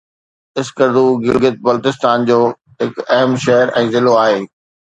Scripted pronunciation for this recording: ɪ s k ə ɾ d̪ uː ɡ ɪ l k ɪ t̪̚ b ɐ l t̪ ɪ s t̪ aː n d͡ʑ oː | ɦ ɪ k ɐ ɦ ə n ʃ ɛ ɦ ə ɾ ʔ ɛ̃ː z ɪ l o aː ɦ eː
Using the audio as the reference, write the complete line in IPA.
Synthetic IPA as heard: ɪ s k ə ɾ d̪ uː ɡ ɪ l ɡ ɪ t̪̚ b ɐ l t̪ ɪ s t̪ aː n d͡ʑ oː | ɦ ɪ k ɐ ɦ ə m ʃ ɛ ɦ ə ɾ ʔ ɛ̃ː z ɪ l o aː ɦ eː